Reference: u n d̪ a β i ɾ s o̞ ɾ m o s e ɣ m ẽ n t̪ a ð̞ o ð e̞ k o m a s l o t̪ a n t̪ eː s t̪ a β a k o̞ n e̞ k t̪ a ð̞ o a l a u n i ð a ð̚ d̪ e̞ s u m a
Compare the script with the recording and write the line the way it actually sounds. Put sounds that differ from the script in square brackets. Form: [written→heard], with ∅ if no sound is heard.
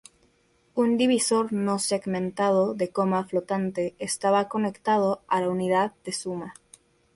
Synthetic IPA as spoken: u n d̪ [a→i] β i [ɾ→∅] s o̞ ɾ [m→n] o s e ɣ m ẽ n t̪ a ð̞ o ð e̞ k o m a [s→f] l o t̪ a n t̪ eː s t̪ a β a k o̞ n e̞ k t̪ a ð̞ o a l a u n i ð a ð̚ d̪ e̞ s u m a

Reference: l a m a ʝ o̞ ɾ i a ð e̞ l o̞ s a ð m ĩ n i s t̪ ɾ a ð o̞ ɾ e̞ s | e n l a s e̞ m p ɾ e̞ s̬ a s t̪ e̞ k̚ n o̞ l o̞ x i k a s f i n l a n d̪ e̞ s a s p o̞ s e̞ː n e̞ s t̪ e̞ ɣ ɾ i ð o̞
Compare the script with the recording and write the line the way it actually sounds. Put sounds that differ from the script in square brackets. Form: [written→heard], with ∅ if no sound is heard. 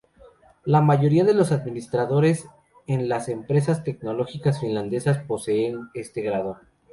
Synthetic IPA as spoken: l a m a ʝ o̞ ɾ i a ð e̞ l o̞ s a ð m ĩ n i s t̪ ɾ a ð o̞ ɾ e̞ s | e n l a s e̞ m p ɾ e̞ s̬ a s t̪ e̞ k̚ n o̞ l o̞ x i k a s f i n l a n d̪ e̞ s a s p o̞ s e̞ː n e̞ s t̪ e̞ ɣ ɾ [i→a] ð o̞

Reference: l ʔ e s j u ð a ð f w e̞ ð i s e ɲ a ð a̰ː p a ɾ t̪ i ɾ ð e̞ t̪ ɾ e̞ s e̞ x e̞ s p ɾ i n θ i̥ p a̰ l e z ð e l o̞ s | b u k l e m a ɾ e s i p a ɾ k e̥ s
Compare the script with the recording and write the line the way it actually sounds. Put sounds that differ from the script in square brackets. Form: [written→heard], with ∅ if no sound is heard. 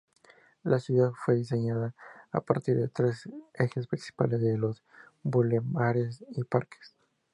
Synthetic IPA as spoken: l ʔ [e→a] s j u ð a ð f w e̞ ð i s e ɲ a ð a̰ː p a ɾ t̪ i ɾ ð e̞ t̪ ɾ e̞ s e̞ x e̞ s p ɾ i n [θ→s] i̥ p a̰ l e z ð e l o̞ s | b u [k→∅] l e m a ɾ e s i p a ɾ k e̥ s

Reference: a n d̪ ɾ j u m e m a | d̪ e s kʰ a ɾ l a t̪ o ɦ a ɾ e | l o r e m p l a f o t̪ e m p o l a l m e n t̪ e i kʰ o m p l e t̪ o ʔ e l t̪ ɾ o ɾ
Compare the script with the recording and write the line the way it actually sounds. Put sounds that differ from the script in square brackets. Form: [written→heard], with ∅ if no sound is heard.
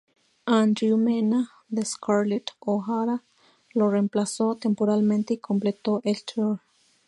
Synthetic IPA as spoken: a n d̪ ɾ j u m e [m→n] a | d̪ e s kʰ a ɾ l [a→e] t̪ o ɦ a ɾ [e→a] | l o r e m p l a [f→s] o t̪ e m p o [l→ɾ] a l m e n t̪ e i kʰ o m p l e t̪ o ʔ e l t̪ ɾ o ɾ

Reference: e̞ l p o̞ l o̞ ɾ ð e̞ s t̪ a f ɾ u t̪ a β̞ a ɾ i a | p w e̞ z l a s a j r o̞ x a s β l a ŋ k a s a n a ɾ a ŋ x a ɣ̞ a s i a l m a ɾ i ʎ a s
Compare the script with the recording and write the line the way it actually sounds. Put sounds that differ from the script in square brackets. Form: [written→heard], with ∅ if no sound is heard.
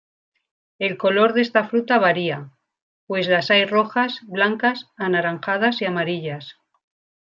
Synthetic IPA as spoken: e̞ l [p→k] o̞ l o̞ ɾ ð e̞ s t̪ a f ɾ u t̪ a β̞ a ɾ i a | p w e̞ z l a s a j r o̞ x a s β l a ŋ k a s a n a ɾ a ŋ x a [ɣ̞→ð̞] a s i a [l→∅] m a ɾ i ʎ a s

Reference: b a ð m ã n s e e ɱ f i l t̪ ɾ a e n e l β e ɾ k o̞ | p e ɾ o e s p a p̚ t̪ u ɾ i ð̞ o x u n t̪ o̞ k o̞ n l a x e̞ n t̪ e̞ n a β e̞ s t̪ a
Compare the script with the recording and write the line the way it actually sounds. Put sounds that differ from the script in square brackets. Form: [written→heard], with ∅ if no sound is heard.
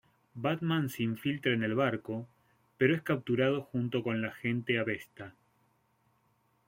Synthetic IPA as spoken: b a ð m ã n s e [e→i] ɱ f i l t̪ ɾ a e n e l β [e→a] ɾ k o̞ | p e ɾ o e s [p→k] a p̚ t̪ u ɾ [i→a] ð̞ o x u n t̪ o̞ k o̞ n l a x e̞ n t̪ e̞ [n→∅] a β e̞ s t̪ a

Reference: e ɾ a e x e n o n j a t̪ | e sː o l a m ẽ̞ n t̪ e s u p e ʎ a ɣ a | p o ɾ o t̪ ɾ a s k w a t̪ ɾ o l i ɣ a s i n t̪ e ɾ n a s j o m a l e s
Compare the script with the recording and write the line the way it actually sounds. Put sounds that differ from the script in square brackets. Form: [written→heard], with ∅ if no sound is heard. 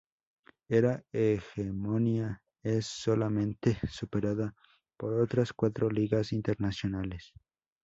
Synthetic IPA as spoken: e ɾ a e x e [n→m] o n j a [t̪→∅] | e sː o l a m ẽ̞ n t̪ e s u p e [ʎ→ɾ] a [ɣ→ð] a | p o ɾ o t̪ ɾ a s k w a t̪ ɾ o l i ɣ a s i n t̪ e ɾ n a s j o [m→n] a l e s

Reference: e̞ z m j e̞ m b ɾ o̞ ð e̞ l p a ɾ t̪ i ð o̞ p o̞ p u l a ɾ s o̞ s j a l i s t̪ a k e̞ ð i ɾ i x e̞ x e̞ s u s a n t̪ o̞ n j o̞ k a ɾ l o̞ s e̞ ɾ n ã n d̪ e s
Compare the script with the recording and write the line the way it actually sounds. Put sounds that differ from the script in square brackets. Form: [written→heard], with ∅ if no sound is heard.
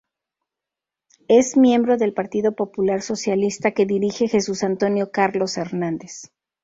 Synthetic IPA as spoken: e̞ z m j e̞ m b ɾ o̞ ð e̞ l p a ɾ t̪ i ð o̞ p o̞ p u l a ɾ s o̞ s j a l i s t̪ a k e̞ ð i ɾ i x e̞ x e̞ s u s a n t̪ o̞ n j o̞ k a ɾ l o̞ s e̞ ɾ n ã n d̪ e s

